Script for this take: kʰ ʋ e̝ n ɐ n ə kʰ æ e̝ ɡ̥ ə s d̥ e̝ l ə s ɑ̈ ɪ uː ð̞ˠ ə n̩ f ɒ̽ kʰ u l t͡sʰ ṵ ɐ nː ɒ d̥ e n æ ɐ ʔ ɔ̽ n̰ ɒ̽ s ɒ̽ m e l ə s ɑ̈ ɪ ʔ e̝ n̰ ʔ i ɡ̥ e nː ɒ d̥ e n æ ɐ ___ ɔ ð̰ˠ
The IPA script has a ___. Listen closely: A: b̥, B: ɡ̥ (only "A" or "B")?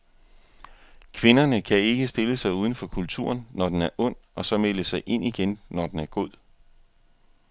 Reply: B